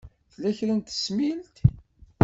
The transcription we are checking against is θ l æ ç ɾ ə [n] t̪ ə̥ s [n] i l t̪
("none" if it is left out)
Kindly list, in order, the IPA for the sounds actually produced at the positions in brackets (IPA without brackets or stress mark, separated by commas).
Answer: n, m